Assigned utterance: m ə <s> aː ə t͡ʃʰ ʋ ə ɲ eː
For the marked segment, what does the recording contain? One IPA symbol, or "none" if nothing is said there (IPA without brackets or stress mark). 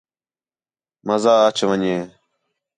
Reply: z